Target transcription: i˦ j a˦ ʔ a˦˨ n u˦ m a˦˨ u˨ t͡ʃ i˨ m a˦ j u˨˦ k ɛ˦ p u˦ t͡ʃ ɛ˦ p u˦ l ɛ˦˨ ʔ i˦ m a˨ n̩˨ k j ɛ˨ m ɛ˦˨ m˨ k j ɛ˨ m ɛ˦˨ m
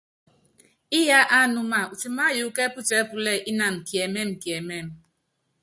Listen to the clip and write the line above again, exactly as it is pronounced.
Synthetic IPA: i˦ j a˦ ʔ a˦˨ n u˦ m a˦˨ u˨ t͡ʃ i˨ m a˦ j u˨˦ k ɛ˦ p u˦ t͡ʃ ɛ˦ p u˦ l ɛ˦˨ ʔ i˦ n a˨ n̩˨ k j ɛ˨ m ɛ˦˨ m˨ k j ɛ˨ m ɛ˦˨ m